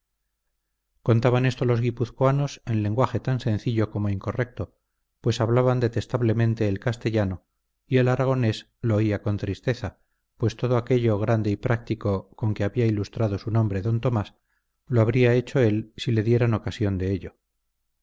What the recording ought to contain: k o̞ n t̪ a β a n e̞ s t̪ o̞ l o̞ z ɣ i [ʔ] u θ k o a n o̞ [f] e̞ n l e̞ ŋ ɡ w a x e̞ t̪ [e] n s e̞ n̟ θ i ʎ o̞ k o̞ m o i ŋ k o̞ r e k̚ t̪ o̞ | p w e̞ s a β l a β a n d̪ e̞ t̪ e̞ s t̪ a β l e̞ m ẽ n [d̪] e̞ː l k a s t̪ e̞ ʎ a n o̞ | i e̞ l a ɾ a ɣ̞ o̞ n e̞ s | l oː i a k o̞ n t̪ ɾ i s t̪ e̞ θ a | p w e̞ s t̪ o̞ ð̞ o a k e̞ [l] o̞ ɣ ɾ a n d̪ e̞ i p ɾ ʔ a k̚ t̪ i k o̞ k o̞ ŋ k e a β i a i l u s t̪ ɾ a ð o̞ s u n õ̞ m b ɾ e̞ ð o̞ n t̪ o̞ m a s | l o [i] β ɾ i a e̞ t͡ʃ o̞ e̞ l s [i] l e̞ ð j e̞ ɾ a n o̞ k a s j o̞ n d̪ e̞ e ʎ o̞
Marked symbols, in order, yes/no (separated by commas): no, no, no, no, no, no, yes